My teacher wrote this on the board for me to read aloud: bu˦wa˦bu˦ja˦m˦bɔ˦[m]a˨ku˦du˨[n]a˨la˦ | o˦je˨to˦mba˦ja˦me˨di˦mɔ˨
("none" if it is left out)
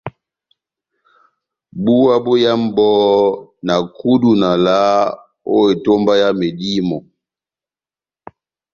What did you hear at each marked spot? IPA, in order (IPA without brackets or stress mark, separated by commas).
n, n